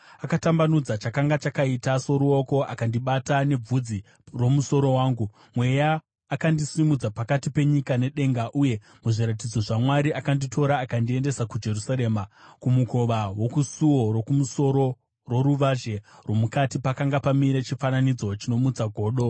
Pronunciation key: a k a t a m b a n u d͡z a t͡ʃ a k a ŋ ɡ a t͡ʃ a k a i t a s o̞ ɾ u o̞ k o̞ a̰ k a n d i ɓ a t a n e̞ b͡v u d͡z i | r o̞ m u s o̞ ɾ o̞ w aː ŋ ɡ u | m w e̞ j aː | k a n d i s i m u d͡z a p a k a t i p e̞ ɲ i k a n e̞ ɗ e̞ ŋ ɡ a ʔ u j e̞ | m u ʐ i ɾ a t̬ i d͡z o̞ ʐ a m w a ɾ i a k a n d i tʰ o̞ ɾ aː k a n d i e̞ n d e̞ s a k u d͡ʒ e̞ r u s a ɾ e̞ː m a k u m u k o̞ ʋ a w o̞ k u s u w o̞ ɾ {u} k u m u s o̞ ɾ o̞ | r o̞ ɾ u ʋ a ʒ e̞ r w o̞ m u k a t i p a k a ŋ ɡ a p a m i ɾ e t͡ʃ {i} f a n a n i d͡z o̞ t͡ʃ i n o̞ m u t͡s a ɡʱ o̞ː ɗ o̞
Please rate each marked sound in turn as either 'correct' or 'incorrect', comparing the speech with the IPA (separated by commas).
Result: incorrect, correct